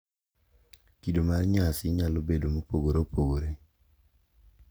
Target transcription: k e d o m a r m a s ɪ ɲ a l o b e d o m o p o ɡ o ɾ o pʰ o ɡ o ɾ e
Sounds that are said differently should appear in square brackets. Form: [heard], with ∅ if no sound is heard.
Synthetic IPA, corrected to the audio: k [i] d o m a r [ɲ] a s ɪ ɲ a l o b e d o m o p o ɡ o ɾ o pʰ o ɡ o ɾ e